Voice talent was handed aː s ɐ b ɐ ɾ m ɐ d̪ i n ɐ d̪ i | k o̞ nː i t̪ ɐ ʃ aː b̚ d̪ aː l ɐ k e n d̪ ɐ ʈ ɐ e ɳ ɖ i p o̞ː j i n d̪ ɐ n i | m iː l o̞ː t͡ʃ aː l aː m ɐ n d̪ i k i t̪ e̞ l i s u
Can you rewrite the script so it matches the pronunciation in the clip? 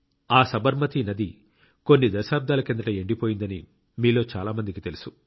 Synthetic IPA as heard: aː s ɐ b ɐ ɾ m ɐ t̪ i n ɐ d̪ i | k o̞ nː i d̪ ɐ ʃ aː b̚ d̪ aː l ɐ k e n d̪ ɐ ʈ ɐ e ɳ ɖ i p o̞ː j i n d̪ ɐ n i | m iː l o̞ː t͡ʃ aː l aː m ɐ n d̪ i k i t̪ e̞ l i s u